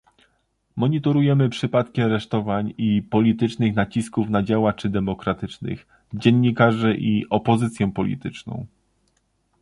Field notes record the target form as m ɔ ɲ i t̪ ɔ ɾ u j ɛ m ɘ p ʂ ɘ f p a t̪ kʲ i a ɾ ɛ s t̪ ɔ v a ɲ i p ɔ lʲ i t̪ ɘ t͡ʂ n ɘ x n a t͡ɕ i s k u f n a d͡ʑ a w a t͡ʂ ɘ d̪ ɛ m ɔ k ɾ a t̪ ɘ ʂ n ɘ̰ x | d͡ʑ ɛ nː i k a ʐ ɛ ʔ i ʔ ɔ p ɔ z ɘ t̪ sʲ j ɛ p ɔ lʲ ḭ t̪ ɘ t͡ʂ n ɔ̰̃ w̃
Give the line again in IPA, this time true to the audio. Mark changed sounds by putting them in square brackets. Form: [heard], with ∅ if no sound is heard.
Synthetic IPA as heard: m ɔ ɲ i t̪ ɔ ɾ u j ɛ m ɘ p ʂ ɘ [∅] p a t̪ kʲ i a ɾ ɛ [ʂ] t̪ ɔ v a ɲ i p ɔ lʲ i t̪ ɘ t͡ʂ n ɘ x n a t͡ɕ i s k u f n a d͡ʑ a w a t͡ʂ ɘ d̪ ɛ m ɔ k ɾ a t̪ ɘ [t͡ʂ] n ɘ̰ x | d͡ʑ ɛ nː i k a ʐ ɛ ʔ i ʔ ɔ p ɔ z ɘ t̪ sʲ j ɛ p ɔ lʲ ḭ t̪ ɘ t͡ʂ n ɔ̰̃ w̃